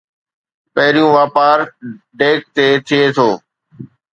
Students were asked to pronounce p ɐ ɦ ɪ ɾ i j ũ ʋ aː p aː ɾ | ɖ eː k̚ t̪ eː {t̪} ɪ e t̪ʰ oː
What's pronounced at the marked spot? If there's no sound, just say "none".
t̪ʰ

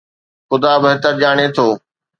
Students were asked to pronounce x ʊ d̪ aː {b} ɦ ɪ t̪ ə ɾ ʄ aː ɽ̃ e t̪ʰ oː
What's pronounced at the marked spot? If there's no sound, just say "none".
b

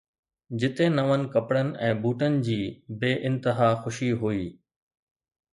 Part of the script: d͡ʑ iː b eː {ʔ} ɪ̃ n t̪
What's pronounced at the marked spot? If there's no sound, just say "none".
ʔ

